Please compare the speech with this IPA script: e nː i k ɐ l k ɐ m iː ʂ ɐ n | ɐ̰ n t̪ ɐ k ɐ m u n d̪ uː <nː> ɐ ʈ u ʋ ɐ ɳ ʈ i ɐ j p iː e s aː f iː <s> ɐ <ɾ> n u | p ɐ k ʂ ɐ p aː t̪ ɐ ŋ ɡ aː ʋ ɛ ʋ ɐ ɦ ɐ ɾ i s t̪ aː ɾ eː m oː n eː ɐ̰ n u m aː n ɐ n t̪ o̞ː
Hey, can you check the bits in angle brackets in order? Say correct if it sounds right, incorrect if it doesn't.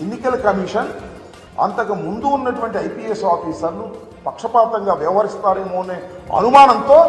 correct, correct, correct

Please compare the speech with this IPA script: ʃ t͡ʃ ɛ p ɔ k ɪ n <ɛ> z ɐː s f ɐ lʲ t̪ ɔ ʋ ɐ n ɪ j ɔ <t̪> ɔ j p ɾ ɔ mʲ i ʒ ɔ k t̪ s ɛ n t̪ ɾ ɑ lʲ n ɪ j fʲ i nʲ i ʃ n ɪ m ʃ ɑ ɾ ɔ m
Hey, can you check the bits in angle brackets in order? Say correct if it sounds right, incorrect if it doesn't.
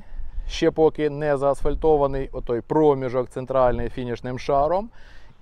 correct, correct

